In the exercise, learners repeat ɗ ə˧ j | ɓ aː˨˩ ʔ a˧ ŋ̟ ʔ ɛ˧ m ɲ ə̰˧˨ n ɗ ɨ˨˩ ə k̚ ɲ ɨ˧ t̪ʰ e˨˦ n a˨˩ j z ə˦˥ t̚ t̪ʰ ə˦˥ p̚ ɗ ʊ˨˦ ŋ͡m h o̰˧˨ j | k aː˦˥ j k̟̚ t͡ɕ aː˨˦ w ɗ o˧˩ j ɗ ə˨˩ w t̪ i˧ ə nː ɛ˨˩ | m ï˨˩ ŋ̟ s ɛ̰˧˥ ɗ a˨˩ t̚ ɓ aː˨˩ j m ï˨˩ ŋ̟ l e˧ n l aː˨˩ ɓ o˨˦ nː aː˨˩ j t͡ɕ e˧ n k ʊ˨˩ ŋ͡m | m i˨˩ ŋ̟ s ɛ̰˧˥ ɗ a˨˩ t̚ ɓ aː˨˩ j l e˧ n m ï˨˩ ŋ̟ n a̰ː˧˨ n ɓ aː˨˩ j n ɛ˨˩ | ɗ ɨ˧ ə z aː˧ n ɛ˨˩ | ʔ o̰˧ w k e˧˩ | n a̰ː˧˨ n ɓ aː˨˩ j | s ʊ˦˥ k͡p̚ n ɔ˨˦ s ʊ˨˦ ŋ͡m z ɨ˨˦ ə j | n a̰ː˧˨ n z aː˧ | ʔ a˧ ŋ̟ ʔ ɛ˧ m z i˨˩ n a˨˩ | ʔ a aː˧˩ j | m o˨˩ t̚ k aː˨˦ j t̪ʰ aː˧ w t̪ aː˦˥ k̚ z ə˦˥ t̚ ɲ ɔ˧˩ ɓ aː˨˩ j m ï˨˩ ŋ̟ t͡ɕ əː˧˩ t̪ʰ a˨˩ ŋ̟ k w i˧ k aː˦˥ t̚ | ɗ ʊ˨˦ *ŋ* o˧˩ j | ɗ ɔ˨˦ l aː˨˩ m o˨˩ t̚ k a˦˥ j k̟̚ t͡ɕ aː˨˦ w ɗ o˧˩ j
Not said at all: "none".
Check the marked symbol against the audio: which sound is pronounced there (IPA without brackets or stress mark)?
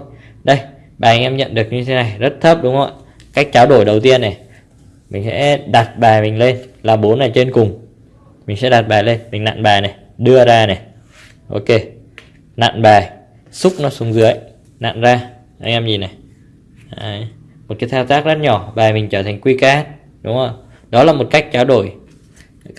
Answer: ŋ͡m